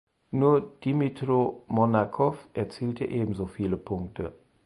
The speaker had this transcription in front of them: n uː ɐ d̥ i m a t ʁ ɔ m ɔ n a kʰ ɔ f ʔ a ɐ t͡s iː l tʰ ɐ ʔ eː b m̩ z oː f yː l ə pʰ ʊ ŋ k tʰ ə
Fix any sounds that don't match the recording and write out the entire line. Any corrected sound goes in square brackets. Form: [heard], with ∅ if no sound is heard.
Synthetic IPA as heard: n uː ɐ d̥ i m [i] t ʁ [o] m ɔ n a kʰ ɔ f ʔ [ɛ] ɐ t͡s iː l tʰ [ə] ʔ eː b m̩ z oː f [iː] l ə pʰ ʊ ŋ k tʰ ə